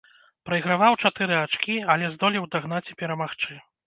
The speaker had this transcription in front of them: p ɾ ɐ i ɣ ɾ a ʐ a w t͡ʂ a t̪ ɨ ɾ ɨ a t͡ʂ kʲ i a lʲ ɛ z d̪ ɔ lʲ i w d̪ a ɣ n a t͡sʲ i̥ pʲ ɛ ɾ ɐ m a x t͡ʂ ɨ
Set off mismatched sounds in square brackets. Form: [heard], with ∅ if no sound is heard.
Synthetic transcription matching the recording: p ɾ ɐ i ɣ ɾ a [v] a w t͡ʂ a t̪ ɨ ɾ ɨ a t͡ʂ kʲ i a lʲ ɛ z d̪ ɔ lʲ i w d̪ a ɣ n a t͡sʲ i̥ pʲ ɛ ɾ ɐ m a x t͡ʂ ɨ